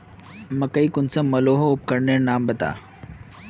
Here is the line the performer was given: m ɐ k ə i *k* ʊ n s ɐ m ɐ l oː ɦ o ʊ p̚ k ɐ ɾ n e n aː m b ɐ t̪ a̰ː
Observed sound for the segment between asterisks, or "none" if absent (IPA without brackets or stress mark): k